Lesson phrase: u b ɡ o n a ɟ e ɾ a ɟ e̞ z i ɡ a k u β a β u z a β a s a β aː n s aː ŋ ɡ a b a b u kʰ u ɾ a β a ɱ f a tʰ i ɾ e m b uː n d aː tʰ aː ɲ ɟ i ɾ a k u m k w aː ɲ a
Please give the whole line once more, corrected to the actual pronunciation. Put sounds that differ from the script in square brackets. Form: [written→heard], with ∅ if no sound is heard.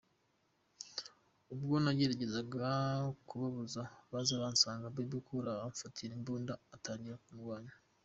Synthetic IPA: u b ɡ o n a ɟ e ɾ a ɟ e̞ z [i→a] ɡ a k u β a β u z a β a [s→z] a β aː n s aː ŋ ɡ a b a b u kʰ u ɾ a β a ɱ f a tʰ i ɾ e m b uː n d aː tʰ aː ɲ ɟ i ɾ a k u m [k→ɡ] w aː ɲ a